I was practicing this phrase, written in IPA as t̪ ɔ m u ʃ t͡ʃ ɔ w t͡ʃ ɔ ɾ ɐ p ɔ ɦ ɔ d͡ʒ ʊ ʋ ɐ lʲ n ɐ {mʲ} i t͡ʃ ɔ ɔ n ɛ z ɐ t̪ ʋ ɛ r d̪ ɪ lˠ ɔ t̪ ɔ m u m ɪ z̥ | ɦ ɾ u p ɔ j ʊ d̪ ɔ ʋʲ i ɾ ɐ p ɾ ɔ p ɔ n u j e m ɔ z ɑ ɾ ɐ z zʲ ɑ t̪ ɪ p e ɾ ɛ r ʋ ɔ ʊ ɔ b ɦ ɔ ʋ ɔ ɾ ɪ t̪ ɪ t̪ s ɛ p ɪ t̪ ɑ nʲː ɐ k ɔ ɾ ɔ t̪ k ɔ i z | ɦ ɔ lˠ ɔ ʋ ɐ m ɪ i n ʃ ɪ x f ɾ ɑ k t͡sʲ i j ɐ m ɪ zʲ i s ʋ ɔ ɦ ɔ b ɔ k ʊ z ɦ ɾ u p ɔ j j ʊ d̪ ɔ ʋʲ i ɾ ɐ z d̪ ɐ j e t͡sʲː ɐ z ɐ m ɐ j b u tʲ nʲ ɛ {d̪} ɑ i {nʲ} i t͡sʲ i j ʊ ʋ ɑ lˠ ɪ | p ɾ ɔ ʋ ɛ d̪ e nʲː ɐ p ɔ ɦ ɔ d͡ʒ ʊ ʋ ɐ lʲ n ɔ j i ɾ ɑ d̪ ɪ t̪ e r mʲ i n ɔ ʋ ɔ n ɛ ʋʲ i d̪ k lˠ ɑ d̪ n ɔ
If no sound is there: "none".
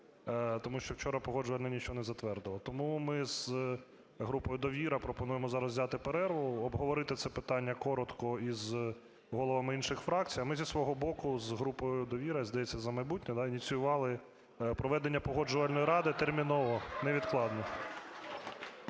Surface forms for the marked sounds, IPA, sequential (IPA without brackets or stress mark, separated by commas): nʲ, d̪, nʲ